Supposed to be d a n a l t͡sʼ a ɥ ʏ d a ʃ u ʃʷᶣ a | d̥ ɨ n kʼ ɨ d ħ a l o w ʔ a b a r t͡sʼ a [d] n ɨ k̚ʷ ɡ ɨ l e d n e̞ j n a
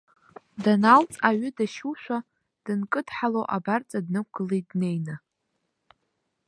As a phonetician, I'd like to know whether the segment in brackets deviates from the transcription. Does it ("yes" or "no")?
no